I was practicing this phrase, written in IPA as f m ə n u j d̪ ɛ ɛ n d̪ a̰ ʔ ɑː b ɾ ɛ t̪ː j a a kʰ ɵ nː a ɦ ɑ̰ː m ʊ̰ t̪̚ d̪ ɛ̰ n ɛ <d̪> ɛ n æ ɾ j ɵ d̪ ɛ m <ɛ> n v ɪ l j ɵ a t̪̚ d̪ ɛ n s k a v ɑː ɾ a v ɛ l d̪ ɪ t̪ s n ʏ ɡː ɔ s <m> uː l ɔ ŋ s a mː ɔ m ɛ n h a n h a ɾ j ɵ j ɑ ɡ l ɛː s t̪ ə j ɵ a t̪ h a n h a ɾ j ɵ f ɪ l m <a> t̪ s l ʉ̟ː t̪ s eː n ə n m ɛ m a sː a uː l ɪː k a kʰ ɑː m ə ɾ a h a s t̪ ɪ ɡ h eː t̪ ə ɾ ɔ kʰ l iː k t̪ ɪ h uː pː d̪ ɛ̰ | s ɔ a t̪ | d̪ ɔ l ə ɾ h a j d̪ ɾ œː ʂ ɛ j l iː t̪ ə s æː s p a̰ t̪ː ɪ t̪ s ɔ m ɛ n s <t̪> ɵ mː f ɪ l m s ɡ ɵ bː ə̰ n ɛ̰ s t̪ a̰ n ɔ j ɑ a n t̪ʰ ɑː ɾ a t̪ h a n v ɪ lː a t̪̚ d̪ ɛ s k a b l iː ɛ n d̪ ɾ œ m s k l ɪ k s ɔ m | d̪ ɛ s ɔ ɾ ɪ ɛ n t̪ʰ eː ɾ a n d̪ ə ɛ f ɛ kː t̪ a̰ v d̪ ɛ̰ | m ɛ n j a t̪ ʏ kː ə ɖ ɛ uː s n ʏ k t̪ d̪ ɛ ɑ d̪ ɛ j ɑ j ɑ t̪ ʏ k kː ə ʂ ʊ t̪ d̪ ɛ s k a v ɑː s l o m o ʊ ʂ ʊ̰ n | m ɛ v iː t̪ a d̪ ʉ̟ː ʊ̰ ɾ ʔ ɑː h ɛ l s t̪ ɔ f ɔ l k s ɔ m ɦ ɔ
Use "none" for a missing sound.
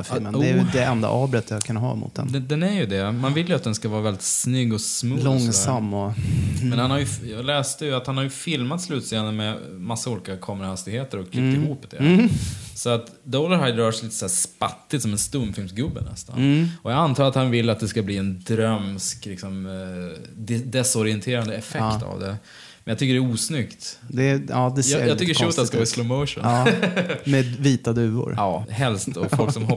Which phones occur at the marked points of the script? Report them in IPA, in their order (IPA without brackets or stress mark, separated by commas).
d̪, a, m, a, t̪